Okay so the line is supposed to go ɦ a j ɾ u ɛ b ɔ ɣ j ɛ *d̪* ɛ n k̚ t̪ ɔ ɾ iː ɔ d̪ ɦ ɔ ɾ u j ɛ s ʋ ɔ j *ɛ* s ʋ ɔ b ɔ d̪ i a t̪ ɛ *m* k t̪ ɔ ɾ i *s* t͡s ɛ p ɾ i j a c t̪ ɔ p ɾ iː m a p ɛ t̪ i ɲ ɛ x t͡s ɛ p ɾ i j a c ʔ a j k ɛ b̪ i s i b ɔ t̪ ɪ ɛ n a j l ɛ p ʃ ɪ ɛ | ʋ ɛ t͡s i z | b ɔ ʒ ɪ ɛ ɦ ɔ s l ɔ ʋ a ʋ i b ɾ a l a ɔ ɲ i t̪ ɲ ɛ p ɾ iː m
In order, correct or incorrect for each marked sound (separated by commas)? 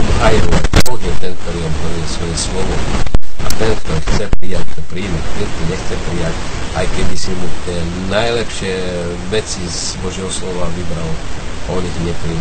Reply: incorrect, correct, incorrect, incorrect